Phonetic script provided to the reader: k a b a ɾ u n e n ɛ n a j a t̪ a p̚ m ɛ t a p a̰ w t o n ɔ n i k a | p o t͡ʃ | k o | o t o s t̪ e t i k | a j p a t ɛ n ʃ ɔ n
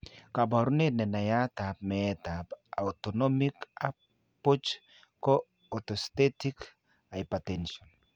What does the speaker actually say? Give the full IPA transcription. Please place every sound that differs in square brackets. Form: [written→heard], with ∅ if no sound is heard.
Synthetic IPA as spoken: k a b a ɾ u n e n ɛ n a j a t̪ a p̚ m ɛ t a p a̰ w t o n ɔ [n→m] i k a | p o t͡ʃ | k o | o t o s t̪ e t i k | a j p a t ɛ n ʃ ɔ n